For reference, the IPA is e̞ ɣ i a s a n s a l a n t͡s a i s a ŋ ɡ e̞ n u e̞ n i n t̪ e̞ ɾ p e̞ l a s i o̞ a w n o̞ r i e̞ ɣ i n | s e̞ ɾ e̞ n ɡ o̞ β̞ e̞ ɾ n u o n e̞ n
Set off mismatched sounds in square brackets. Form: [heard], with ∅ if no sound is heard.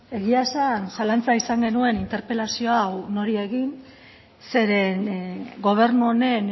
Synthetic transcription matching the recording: e̞ ɣ i a s a n s a l a n t͡s a i s a ŋ ɡ e̞ n u e̞ n i n t̪ e̞ ɾ p e̞ l a s i o̞ a w n o̞ [ɾ] i e̞ ɣ i n | s e̞ ɾ e̞ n ɡ o̞ β̞ e̞ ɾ n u o n e̞ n